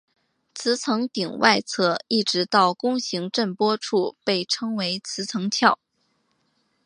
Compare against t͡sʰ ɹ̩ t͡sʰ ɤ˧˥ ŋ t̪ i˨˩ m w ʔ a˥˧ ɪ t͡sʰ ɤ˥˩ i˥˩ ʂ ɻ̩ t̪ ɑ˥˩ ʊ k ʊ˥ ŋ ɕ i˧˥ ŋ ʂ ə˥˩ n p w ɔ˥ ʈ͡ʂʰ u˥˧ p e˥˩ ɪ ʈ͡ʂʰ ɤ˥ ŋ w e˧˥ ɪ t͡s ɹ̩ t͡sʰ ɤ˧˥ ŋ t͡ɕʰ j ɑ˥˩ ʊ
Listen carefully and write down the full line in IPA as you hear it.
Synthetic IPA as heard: t͡sʰ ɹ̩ t͡sʰ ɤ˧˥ ŋ t̪ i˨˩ ŋ w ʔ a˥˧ ɪ t͡sʰ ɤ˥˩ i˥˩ ʈ͡ʂ ɻ̩ t̪ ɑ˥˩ ʊ k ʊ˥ ŋ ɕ i˧˥ ŋ ʈ͡ʂ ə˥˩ n p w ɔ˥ ʈ͡ʂʰ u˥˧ p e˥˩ ɪ ʈ͡ʂʰ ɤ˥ ŋ w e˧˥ ɪ t͡sʰ ɹ̩ t͡sʰ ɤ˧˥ ŋ t͡ɕʰ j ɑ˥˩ ʊ